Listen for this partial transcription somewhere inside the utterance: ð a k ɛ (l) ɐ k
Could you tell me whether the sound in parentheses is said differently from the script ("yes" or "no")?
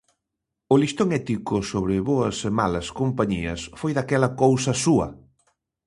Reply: no